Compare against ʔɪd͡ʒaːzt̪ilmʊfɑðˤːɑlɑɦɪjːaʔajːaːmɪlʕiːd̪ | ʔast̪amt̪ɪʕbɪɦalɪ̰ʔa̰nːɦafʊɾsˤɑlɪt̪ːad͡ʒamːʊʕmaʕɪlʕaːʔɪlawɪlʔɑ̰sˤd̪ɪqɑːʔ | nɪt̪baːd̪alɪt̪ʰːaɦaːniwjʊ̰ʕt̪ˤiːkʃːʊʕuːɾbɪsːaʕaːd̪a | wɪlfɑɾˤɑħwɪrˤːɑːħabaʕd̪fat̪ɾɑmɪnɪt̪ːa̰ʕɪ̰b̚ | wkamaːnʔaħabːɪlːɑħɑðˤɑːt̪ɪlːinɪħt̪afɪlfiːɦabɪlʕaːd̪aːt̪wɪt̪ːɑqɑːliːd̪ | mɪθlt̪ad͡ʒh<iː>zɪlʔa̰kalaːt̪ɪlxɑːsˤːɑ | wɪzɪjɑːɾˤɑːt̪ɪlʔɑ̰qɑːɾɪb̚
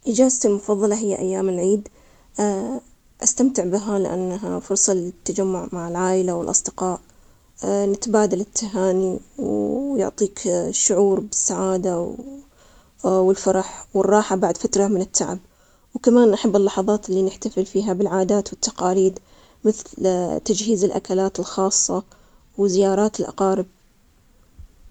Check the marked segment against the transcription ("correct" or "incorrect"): correct